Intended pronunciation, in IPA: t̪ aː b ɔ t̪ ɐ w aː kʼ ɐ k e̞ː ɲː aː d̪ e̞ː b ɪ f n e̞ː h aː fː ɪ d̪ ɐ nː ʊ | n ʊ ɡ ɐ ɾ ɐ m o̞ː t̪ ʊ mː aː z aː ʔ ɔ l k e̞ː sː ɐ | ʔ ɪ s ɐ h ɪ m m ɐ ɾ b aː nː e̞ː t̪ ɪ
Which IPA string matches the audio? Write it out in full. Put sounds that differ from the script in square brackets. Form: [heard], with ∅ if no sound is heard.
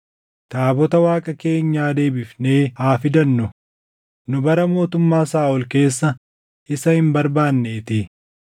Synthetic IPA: t̪ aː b ɔ t̪ ɐ w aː kʼ ɐ k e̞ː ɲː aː d̪ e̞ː b ɪ f n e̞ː h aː [f] ɪ d̪ ɐ nː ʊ | n ʊ [b] ɐ ɾ ɐ m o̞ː t̪ ʊ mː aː [s] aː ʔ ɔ l k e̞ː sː ɐ | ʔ ɪ s ɐ h ɪ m [b] ɐ ɾ b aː nː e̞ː t̪ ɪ